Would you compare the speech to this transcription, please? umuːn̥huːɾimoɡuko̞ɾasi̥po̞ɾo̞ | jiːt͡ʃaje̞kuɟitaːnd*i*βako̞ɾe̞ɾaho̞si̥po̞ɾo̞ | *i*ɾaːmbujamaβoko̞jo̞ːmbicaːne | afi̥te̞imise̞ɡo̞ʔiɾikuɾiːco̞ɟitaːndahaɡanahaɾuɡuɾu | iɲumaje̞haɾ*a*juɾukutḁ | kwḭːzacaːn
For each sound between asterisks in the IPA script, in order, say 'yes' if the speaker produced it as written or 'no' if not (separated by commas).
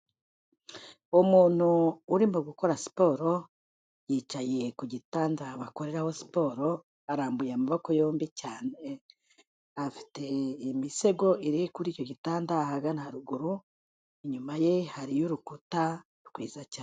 no, no, no